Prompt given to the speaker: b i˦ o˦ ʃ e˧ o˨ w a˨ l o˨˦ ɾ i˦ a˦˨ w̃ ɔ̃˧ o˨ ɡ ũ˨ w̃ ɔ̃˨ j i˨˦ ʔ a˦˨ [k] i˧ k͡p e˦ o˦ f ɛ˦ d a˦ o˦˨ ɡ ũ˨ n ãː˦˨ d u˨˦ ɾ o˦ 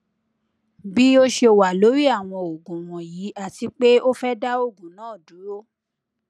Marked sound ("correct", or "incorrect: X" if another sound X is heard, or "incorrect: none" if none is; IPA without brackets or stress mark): incorrect: t